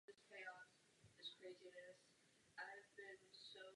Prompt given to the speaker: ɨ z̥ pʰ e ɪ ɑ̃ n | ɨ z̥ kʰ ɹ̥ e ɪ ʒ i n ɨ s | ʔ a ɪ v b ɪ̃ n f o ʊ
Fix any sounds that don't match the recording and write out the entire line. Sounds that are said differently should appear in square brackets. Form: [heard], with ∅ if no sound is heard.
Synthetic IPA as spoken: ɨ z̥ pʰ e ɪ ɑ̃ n | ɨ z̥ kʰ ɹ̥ e ɪ [z] i n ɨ s | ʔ a ɪ v b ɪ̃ n [s] o ʊ